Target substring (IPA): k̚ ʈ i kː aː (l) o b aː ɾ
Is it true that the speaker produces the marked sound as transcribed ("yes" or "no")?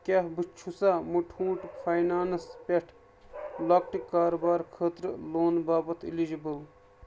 no